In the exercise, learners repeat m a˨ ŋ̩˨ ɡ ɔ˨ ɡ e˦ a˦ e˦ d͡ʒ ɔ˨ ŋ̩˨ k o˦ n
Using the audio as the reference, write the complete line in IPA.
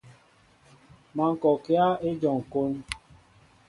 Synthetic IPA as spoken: m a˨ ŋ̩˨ k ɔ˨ k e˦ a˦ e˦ d͡ʒ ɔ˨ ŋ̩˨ k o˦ n